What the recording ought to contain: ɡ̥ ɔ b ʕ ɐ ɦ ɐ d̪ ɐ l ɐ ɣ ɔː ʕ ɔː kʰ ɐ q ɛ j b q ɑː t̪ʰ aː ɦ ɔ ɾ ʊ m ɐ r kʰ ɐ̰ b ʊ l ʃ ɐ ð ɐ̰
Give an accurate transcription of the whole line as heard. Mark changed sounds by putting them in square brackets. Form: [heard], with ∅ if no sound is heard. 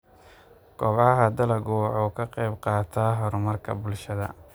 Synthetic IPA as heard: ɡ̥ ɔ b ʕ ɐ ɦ ɐ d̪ ɐ l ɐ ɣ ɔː ʕ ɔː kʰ ɐ q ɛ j b q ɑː t̪ʰ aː ɦ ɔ ɾ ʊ m ɐ r kʰ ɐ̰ b ʊ l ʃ ɐ ð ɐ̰